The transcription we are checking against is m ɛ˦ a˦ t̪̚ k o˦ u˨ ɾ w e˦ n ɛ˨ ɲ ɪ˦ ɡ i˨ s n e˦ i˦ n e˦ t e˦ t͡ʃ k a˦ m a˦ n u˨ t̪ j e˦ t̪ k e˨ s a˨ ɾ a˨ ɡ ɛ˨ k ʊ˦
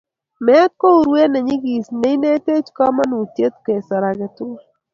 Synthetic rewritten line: m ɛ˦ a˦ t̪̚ k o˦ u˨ ɾ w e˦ n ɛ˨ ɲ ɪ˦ ɡ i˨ s n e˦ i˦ n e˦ t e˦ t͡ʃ k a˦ m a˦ n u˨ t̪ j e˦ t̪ k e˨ s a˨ ɾ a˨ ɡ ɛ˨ t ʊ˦